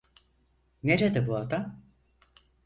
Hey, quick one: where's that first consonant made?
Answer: tongue tip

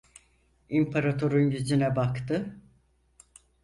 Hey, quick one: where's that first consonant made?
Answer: lips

